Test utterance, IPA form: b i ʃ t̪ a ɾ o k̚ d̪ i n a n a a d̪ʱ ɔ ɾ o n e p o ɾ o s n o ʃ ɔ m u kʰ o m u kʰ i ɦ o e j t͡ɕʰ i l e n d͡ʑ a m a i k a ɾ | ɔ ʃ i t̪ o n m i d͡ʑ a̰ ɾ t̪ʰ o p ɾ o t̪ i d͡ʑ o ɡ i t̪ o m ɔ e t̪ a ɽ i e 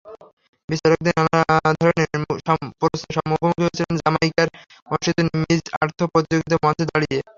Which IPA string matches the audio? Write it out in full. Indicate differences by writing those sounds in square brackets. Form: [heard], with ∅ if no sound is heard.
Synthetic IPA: b i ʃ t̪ a ɾ o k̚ d̪ i n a n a a d̪ʱ ɔ ɾ o n e p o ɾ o s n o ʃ ɔ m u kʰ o m u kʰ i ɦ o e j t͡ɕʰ i l e n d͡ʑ a m a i k a ɾ | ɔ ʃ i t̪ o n m i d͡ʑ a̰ ɾ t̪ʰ o p ɾ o t̪ i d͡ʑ o ɡ i t̪ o m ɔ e [d̪] a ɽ i e